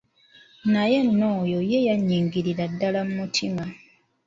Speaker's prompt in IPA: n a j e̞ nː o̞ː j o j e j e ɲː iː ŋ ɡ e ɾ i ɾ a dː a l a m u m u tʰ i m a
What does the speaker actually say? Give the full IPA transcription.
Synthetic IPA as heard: n a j e̞ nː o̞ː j o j e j a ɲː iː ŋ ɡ i ɾ i ɾ a dː a l a m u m u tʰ i m a